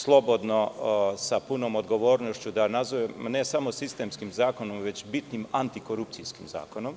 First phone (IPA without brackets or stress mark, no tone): s